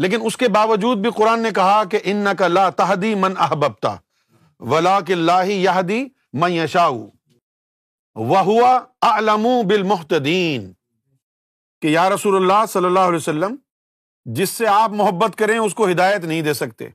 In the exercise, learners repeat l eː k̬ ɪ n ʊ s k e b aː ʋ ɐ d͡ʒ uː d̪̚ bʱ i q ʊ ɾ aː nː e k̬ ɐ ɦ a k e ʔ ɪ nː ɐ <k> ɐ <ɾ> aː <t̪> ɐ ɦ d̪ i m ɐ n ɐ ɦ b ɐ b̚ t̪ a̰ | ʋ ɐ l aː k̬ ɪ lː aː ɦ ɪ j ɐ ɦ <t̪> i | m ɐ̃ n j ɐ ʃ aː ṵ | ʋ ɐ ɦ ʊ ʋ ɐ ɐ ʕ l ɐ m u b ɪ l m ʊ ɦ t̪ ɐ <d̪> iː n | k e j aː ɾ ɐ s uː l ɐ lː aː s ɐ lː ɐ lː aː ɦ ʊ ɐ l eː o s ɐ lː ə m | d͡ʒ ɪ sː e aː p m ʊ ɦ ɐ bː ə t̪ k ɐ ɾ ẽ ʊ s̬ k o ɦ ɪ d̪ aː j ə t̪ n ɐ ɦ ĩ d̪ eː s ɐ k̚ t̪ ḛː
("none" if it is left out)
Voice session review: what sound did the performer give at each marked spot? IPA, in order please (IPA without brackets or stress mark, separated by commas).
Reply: k, l, t̪, d̪, d̪